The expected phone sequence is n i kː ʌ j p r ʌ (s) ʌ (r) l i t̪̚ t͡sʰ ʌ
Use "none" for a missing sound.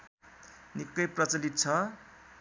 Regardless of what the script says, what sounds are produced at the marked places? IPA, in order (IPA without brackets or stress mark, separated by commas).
t͡s, none